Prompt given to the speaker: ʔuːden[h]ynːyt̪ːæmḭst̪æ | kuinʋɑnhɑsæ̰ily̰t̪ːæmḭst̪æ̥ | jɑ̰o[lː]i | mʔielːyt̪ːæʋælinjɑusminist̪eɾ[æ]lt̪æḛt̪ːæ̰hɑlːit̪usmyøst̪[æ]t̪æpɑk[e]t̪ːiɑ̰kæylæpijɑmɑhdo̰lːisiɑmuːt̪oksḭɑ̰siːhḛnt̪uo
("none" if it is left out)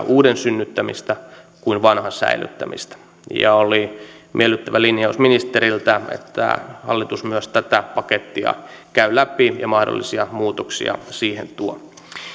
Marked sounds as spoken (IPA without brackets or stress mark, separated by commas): s, l, i, æ, e